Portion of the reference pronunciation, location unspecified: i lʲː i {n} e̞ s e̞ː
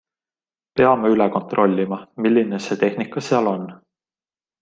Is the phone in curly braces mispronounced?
no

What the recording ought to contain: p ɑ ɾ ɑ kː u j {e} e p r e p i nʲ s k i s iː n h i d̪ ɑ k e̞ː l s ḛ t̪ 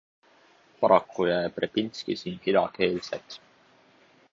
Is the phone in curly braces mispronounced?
yes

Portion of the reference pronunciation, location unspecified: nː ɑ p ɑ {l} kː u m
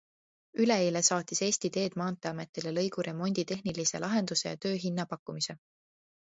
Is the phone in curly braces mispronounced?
yes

